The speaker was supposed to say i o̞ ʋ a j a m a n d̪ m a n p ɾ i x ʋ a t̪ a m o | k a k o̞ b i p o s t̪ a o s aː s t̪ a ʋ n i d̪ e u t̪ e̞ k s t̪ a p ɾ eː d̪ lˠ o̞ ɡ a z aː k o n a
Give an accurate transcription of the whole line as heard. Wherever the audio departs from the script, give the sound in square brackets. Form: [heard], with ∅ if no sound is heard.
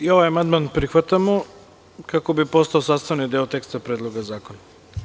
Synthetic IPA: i o̞ ʋ a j a m a n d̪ m a n p ɾ i x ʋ a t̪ a m o | k a k o̞ b i p o s t̪ a o s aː s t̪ a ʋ n i d̪ e [o] t̪ e̞ k s t̪ a p ɾ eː d̪ lˠ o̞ ɡ a z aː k o n a